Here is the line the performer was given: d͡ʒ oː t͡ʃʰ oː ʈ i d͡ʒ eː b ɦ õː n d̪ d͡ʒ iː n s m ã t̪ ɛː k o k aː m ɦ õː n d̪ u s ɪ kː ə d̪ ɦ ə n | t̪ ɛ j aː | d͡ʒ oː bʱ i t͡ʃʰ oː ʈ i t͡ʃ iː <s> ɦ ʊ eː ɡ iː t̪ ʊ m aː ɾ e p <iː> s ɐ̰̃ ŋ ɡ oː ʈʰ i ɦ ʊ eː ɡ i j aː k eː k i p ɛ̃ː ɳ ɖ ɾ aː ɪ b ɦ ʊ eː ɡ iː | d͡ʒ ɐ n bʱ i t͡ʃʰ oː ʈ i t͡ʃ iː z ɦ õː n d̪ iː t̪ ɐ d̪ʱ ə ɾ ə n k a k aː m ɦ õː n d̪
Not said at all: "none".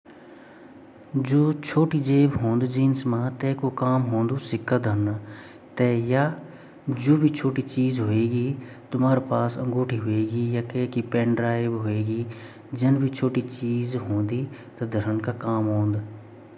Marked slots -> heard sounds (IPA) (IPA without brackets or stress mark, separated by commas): z, aː